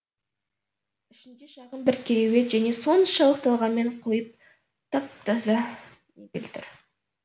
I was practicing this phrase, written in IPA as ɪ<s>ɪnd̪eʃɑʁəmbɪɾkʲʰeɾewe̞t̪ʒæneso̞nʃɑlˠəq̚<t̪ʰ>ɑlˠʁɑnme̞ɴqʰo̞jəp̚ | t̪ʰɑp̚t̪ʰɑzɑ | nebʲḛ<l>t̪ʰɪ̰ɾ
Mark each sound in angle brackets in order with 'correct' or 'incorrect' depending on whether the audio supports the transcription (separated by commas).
incorrect, incorrect, correct